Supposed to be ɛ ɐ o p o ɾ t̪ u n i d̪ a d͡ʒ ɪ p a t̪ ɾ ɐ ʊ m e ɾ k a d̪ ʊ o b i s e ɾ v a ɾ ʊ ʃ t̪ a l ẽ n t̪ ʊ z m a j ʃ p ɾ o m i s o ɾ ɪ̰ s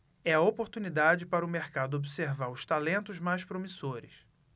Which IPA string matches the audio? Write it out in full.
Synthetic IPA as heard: ɛ ɐ o p o ɾ t̪ u n i d̪ a d͡ʒ ɪ p a ɾ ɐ ʊ m e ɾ k a d̪ ʊ o b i s e ɾ v a ɾ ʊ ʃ t̪ a l ẽ n t̪ ʊ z m a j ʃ p ɾ o m i s o ɾ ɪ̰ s

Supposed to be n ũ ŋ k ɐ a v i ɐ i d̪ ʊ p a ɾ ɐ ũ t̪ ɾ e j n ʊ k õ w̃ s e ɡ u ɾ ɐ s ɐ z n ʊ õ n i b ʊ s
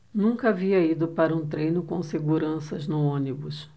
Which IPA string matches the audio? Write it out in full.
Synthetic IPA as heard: n ũ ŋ k ɐ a v i ɐ i d̪ ʊ p a ɾ ɐ ũ t̪ ɾ e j n ʊ k õ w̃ s e ɡ u ɾ ɐ̃ s ɐ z n ʊ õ n i b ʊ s

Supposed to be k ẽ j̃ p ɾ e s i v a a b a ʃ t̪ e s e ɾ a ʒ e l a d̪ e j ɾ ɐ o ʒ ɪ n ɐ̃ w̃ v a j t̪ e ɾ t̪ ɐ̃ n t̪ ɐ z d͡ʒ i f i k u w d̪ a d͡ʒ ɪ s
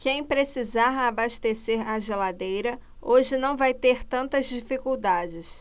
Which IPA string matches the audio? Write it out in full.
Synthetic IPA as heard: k ẽ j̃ p ɾ e s i z a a b a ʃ t̪ e s e ɾ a ʒ e l a d̪ e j ɾ ɐ o ʒ ɪ n ɐ̃ w̃ v a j t̪ e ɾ t̪ ɐ̃ n t̪ ɐ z d͡ʒ i f i k u w d̪ a d͡ʒ ɪ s

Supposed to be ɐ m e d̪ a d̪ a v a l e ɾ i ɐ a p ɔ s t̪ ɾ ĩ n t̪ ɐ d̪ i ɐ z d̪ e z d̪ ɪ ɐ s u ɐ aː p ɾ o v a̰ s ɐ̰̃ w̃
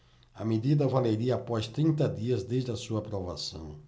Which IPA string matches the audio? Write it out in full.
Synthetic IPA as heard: ɐ m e d̪ i d̪ ɐ v a l e ɾ i ɐ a p ɔ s t̪ ɾ ĩ n t̪ ɐ d̪ i ɐ z d̪ e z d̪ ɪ ɐ s u ɐ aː p ɾ o v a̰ s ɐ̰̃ w̃

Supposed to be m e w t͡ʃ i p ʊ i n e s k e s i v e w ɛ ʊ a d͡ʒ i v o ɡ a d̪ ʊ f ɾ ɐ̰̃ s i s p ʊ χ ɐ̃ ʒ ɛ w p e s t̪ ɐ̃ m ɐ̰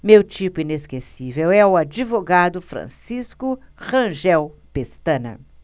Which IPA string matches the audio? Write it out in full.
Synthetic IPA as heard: m e w t͡ʃ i p ʊ i n e s k e s i v e w ɛ ʊ a d͡ʒ i v o ɡ a d̪ ʊ f ɾ ɐ̰̃ s i s k ʊ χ ɐ̃ ʒ ɛ w p e s t̪ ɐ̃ n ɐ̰

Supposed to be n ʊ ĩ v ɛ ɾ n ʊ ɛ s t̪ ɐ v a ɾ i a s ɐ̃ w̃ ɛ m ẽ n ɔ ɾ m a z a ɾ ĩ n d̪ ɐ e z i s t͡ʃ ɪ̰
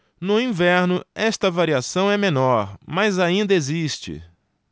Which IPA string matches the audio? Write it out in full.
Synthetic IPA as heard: n ʊ ĩ v ɛ ɾ n ʊ ɛ s t̪ ɐ v a ɾ i a s ɐ̃ w̃ ɛ m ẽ n ɔ ɾ m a z a ĩ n d̪ ɐ e z i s t͡ʃ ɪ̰

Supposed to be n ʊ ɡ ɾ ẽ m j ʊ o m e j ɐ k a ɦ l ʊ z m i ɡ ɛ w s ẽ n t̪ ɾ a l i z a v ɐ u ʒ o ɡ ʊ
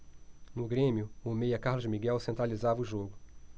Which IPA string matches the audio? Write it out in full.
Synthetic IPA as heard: n ʊ ɡ ɾ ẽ m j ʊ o m e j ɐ k a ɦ l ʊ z m i ɡ ɛ w s ẽ n t̪ ɾ a l i z a v ɐ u ʒ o ɡ ʊ

